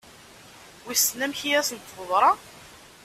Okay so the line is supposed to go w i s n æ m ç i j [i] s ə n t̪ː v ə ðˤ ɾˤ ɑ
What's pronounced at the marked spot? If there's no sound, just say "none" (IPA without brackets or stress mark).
æ